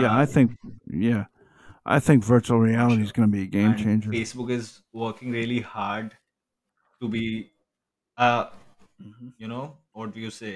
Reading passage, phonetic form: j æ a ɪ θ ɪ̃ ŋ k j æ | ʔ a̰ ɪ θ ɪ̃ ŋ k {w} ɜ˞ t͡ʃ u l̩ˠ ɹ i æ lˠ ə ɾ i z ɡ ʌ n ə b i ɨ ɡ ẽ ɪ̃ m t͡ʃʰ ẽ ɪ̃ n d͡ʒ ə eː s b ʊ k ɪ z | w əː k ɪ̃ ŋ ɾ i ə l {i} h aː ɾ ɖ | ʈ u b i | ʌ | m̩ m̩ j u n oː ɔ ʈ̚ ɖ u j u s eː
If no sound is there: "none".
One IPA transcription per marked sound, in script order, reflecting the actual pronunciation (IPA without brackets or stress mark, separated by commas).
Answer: v, i